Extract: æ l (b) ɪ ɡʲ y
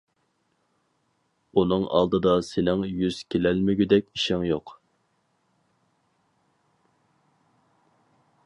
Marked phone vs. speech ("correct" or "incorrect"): incorrect